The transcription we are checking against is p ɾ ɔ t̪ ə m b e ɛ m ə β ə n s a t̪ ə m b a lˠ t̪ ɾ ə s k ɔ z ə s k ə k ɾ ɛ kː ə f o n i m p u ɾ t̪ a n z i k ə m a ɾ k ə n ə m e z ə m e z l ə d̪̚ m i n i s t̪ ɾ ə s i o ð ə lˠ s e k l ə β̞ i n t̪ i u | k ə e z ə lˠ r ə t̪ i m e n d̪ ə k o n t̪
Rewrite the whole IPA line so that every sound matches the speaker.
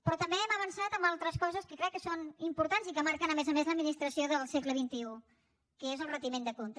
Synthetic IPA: p ɾ ɔ t̪ ə m b e ɛ m ə β ə n s a t̪ ə m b a lˠ t̪ ɾ ə s k ɔ z ə s k ə k ɾ ɛ kː ə s o n i m p u ɾ t̪ a n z i k ə m a ɾ k ə n ə m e z ə m e z l ə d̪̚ m i n i s t̪ ɾ ə s i o ð ə lˠ s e k l ə β̞ i n t̪ i u | k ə e z ə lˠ r ə t̪ i m e n d̪ ə k o n t̪